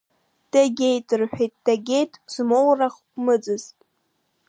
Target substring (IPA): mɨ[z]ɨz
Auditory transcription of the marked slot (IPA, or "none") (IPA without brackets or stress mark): d͡z